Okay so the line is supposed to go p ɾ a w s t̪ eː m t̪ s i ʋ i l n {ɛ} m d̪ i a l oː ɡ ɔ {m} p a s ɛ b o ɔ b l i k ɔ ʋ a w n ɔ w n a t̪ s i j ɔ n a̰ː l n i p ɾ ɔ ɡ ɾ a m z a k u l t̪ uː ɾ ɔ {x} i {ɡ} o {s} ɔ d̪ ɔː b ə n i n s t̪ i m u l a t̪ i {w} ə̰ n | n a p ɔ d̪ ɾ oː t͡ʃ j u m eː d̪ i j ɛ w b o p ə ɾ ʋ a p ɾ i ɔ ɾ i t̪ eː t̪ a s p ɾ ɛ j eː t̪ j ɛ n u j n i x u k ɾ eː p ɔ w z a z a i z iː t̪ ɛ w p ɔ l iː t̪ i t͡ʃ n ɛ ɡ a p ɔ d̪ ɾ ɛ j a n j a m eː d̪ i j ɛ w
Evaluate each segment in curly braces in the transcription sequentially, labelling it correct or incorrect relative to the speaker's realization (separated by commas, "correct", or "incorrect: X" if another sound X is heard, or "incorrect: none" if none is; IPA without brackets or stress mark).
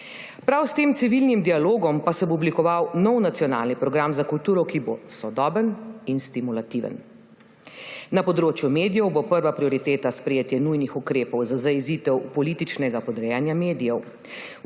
incorrect: i, correct, incorrect: k, incorrect: b, correct, incorrect: ʋ